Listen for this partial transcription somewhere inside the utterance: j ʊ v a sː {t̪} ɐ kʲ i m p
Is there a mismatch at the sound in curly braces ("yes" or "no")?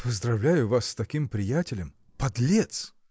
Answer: no